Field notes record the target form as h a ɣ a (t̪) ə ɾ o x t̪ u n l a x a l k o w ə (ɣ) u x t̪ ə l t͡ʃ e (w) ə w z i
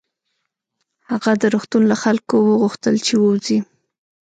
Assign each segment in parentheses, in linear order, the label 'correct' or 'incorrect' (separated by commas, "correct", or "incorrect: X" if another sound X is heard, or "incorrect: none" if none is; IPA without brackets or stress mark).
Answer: incorrect: d̪, correct, correct